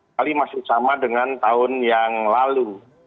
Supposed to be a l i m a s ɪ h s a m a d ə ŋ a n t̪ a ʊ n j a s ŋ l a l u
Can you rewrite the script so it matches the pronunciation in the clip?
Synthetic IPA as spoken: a l i m a s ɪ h s a m a d ə ŋ a n t̪ a ʊ n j a ŋ l a l u